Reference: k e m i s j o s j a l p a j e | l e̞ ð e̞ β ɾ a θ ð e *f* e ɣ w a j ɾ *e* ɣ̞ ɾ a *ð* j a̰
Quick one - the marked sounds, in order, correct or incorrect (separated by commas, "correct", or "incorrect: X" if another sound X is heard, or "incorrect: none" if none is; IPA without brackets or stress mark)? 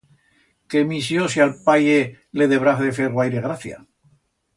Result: correct, correct, incorrect: θ